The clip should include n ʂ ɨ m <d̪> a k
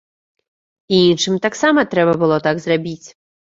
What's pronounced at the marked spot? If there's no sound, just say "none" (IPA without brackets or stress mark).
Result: t̪